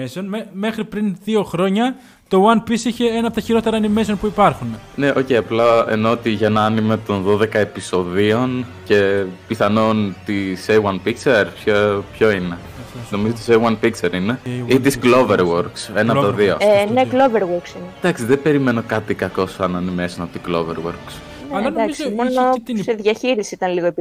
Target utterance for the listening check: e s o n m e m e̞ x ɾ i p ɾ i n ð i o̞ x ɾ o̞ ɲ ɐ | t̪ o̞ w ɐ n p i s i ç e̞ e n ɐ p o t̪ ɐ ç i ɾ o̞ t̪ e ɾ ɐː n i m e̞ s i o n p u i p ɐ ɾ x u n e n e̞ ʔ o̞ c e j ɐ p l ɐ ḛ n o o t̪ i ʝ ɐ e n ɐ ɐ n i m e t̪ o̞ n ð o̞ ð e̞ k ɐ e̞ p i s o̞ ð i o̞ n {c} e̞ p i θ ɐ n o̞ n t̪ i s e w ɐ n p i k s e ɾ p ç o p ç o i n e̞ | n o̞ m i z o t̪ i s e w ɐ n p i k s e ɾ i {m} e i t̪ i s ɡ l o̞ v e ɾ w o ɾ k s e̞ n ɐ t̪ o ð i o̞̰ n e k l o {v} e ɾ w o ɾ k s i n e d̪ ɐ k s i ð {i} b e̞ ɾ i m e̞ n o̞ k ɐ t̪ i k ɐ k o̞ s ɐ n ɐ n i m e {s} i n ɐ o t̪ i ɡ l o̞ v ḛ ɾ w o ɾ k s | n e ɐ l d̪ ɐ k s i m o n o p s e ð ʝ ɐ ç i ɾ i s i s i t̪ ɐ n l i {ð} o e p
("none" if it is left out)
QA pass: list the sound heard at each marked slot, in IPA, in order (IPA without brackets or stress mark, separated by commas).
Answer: c, n, v, e, s, ɣ